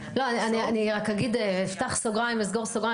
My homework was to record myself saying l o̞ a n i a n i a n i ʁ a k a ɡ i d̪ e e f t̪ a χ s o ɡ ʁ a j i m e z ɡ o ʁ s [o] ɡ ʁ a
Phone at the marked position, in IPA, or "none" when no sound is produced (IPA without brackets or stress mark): o